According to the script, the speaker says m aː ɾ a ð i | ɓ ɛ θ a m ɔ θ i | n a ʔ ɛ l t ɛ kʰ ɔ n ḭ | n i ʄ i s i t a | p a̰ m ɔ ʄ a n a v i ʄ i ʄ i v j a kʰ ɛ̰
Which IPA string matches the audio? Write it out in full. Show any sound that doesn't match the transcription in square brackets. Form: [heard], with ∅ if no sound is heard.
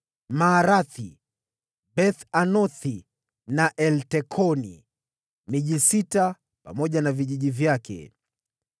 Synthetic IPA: m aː ɾ a [θ] i | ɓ ɛ θ a [n] ɔ θ i | n a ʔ ɛ l t ɛ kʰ ɔ n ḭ | [m] i ʄ i s i t a | p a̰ m ɔ ʄ a n a v i ʄ i ʄ i v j a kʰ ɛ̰